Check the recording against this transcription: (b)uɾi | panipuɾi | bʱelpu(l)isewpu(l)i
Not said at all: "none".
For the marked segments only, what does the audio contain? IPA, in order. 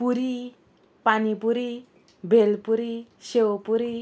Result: p, ɾ, ɾ

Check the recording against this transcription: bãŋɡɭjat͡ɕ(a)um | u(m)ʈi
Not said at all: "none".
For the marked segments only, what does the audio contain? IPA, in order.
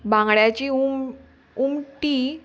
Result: i, m

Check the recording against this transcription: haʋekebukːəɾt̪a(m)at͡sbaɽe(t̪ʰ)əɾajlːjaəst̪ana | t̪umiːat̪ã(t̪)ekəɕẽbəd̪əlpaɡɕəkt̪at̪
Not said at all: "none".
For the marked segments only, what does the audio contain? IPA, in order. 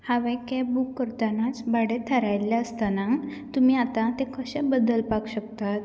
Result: n, t̪ʰ, t̪

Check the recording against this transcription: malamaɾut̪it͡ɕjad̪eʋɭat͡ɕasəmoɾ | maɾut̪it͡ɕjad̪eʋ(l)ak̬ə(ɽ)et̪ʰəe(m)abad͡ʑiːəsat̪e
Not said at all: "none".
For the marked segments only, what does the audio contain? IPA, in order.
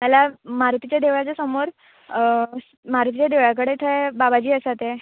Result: ɭ, ɽ, b

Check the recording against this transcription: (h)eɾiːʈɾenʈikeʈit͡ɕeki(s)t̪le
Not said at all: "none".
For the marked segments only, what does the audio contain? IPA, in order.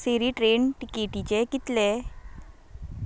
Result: s, none

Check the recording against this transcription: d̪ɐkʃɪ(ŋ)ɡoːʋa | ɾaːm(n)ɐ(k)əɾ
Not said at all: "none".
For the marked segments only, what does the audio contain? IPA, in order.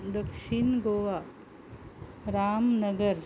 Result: n, n, ɡ

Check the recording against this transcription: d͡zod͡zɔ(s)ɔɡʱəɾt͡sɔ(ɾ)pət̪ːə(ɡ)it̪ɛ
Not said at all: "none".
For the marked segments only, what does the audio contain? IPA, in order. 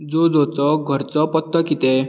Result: t͡s, none, k

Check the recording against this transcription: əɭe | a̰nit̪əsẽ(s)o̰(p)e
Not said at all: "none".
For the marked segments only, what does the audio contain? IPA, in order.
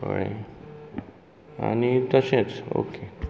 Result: t͡s, k

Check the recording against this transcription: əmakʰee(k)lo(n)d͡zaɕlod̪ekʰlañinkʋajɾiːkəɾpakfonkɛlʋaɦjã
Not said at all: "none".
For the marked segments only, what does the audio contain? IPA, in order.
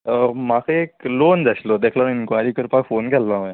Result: k, n

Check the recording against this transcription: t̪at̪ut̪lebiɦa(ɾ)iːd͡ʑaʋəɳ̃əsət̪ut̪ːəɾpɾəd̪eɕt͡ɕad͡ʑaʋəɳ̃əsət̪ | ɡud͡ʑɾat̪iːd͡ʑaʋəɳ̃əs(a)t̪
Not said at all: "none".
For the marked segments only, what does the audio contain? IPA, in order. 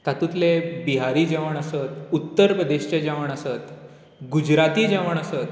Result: ɾ, ə

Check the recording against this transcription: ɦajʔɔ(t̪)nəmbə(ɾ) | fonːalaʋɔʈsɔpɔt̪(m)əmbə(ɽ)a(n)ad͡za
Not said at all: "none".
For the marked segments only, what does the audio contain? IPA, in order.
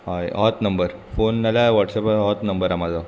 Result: t̪, ɾ, n, ɾ, m

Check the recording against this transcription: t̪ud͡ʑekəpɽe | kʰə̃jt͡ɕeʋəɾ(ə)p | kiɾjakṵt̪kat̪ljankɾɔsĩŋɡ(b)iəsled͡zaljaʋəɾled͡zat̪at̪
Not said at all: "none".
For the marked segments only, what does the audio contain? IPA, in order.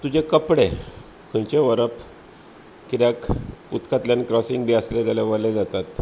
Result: ə, b

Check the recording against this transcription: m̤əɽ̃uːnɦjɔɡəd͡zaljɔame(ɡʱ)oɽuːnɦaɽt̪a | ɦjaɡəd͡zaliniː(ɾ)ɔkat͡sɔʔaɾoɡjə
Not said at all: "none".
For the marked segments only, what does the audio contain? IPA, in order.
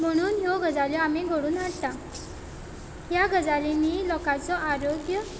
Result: ɡʱ, l

